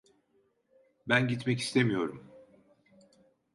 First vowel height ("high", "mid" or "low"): low